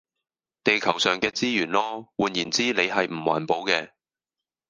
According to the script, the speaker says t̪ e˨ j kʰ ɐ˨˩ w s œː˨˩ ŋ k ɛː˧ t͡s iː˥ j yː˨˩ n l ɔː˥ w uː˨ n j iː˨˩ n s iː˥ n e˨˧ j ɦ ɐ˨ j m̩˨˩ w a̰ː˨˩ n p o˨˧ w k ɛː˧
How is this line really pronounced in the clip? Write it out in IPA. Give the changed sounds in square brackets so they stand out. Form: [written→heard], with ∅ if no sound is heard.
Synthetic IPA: t̪ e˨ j kʰ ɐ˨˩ w s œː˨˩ ŋ k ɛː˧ t͡s iː˥ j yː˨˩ n l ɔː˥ w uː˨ n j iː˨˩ n [s→t͡s] iː˥ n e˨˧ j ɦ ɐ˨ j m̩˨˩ w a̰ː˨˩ n p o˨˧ w k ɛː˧